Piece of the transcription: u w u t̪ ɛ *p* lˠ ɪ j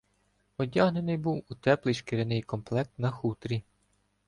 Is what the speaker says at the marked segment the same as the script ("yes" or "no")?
yes